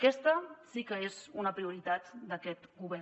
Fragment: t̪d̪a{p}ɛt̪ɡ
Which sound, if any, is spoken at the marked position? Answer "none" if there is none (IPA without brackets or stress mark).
k